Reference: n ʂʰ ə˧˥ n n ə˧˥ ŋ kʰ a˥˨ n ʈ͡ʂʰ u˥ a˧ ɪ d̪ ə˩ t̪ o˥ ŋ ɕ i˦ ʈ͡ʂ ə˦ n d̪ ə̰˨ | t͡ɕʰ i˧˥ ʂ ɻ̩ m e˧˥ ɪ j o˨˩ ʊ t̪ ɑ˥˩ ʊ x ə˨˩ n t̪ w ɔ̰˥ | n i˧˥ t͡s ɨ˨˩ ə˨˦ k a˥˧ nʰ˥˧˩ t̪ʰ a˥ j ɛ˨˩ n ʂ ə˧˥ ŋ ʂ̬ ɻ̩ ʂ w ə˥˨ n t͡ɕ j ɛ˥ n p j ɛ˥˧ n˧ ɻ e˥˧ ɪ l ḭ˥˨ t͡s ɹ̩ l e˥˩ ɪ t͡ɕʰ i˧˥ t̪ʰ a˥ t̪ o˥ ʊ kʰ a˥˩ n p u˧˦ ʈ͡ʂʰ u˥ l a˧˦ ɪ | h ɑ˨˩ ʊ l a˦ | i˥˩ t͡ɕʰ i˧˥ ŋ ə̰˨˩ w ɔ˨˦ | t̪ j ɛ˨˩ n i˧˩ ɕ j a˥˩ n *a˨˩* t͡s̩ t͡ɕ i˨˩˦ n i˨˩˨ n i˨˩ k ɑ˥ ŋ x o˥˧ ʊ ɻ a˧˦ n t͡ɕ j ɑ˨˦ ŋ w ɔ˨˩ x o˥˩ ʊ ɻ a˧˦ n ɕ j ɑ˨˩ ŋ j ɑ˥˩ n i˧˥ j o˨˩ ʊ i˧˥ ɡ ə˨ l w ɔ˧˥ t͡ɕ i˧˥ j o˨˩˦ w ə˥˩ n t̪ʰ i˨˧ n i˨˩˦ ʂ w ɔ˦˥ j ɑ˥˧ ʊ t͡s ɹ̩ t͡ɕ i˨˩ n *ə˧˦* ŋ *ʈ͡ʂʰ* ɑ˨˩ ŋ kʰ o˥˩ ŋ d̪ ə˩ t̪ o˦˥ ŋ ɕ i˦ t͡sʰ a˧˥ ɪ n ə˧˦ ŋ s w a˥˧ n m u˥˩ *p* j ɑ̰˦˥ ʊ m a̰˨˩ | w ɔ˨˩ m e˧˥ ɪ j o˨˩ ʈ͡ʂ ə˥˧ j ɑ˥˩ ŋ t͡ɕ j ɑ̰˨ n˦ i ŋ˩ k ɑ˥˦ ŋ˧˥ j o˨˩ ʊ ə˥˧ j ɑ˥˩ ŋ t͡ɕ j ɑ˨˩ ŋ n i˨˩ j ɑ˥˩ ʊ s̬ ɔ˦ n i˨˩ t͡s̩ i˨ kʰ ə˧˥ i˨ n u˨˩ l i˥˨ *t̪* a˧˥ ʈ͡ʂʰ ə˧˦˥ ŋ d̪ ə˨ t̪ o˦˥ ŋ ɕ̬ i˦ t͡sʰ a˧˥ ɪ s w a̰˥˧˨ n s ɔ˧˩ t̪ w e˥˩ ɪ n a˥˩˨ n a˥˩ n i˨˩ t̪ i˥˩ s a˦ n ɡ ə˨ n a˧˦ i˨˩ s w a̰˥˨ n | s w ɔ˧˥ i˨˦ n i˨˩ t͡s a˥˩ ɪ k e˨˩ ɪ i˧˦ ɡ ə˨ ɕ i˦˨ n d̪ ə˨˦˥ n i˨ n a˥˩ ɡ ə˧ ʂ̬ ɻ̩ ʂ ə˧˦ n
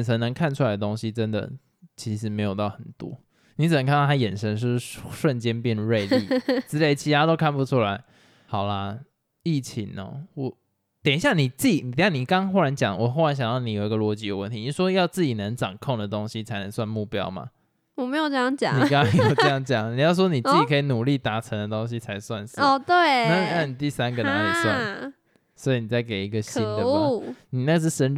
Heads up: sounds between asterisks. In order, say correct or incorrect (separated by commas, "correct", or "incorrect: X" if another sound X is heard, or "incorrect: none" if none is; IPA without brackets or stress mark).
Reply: incorrect: i˨˩, correct, incorrect: ʈ͡ʂ, correct, correct